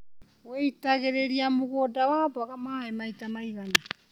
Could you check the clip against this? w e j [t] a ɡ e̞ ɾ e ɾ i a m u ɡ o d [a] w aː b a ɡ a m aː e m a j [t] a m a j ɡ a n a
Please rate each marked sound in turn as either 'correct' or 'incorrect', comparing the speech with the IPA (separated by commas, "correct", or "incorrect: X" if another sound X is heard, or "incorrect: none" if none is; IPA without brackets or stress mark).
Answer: correct, correct, correct